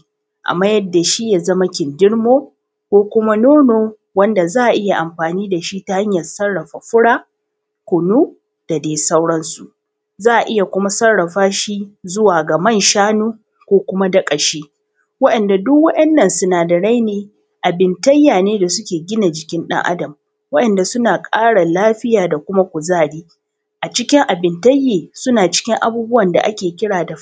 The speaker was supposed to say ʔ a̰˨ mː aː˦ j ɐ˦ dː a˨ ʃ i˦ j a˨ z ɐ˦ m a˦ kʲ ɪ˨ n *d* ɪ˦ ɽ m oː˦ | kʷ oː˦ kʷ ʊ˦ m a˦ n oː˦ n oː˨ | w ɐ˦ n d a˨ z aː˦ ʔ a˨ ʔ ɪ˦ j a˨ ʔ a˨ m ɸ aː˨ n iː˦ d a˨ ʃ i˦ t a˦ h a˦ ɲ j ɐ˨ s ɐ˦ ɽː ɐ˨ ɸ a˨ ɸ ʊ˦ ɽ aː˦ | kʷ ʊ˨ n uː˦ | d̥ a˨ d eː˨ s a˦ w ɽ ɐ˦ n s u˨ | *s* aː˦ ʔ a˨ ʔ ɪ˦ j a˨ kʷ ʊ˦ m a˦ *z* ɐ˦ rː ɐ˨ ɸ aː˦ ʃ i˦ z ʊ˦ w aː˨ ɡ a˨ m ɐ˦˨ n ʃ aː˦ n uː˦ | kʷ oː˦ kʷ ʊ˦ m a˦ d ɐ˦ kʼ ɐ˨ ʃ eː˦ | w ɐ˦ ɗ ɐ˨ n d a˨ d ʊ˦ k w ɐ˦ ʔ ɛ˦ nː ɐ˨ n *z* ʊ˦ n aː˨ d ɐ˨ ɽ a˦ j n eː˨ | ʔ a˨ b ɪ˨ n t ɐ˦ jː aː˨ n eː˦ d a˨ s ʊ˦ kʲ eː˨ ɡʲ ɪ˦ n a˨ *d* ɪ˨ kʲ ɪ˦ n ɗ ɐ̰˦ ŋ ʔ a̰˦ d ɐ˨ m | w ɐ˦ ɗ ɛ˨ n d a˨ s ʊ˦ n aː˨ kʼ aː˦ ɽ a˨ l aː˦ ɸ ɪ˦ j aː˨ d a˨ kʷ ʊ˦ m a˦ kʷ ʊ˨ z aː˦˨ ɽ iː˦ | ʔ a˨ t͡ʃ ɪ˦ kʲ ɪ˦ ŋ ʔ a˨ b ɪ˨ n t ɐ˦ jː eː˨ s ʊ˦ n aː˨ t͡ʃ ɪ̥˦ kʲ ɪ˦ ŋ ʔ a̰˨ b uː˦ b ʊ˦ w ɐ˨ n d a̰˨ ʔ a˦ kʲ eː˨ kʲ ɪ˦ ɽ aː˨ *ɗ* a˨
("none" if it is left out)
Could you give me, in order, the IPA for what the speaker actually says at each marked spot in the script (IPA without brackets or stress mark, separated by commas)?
d, z, s, s, d͡ʒ, d